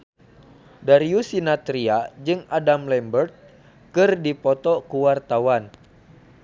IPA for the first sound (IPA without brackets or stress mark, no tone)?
d